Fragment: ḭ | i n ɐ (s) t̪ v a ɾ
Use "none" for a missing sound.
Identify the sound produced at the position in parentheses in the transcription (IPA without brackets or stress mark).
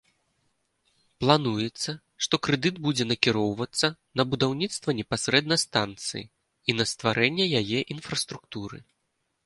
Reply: s